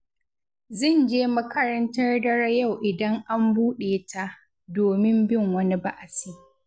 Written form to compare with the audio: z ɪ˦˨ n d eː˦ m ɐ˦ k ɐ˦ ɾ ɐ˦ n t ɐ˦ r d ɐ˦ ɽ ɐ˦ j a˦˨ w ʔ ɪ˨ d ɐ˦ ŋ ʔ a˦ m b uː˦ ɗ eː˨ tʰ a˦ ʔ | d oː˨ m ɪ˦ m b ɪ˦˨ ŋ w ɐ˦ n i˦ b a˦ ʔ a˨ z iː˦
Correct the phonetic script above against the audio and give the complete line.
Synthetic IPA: z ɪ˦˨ n d͡ʒ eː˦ m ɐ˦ k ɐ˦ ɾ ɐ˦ n t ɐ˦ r d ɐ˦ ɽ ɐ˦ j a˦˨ w ʔ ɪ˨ d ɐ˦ ŋ ʔ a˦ m b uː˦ ɗ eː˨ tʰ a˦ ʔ | d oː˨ m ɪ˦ m b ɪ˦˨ ŋ w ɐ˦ n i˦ b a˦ ʔ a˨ s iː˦